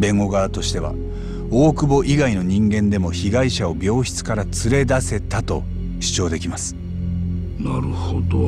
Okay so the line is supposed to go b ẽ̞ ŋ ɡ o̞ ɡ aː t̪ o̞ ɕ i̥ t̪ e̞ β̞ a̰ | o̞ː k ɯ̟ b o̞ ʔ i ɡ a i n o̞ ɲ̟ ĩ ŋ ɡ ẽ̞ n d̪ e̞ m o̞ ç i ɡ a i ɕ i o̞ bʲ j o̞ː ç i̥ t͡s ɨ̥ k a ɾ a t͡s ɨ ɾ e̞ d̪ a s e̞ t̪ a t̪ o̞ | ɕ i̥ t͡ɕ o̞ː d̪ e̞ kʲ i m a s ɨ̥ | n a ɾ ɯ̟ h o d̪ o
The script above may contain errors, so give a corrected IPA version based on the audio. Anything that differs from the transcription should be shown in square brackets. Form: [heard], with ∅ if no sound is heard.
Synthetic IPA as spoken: b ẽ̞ ŋ ɡ o̞ ɡ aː t̪ o̞ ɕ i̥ t̪ e̞ β̞ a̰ | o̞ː k ɯ̟ b o̞ ʔ i ɡ a i n o̞ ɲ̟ ĩ ŋ ɡ ẽ̞ n d̪ e̞ m o̞ ç i ɡ a i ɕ [a] o̞ bʲ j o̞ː ç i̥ t͡s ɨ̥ k a ɾ a t͡s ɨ ɾ e̞ d̪ a s e̞ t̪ a t̪ o̞ | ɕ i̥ t͡ɕ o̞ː d̪ e̞ kʲ i m a s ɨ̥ | n a ɾ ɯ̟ h o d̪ o